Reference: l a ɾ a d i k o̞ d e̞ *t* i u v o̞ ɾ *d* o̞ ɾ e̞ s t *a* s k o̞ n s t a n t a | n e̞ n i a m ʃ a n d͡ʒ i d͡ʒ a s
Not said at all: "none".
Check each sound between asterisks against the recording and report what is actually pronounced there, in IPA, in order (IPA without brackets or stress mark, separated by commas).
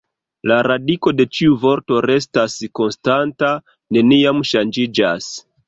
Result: t͡ʃ, t, a